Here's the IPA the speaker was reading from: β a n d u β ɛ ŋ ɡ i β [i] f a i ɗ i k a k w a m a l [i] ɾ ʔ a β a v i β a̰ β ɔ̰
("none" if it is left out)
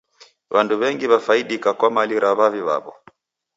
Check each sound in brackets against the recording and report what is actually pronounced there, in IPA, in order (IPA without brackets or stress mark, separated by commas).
a, i